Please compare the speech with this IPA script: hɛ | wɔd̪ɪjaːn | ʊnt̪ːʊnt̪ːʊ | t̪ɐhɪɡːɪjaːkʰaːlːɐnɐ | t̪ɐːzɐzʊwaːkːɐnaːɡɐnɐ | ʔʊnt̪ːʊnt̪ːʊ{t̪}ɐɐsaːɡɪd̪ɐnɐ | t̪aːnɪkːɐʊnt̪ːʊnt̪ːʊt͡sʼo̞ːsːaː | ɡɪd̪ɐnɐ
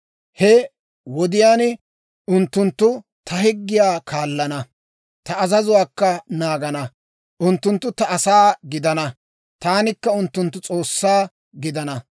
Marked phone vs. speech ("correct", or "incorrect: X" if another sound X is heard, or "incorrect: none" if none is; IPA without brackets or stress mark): correct